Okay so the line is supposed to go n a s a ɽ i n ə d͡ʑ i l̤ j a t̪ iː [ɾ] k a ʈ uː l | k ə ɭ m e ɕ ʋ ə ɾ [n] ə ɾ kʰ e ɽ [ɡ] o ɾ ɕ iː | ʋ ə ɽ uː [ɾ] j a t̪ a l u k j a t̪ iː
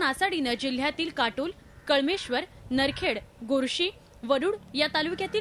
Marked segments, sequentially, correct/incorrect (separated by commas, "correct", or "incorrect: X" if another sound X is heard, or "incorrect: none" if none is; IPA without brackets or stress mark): incorrect: l, correct, correct, incorrect: ɽ